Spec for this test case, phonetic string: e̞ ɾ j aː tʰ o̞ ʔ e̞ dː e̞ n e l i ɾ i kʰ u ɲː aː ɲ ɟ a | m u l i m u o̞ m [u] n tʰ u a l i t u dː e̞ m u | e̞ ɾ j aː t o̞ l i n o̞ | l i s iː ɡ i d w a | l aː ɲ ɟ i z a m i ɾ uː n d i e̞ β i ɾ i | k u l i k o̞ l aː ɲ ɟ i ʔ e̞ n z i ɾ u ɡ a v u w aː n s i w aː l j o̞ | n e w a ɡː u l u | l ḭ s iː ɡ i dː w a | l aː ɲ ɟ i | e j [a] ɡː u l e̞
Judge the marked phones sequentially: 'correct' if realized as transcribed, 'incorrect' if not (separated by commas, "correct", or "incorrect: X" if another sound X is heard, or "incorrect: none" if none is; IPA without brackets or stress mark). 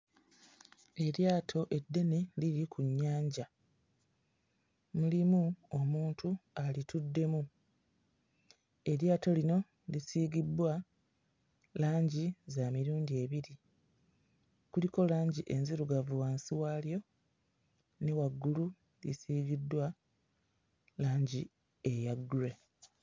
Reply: incorrect: uː, correct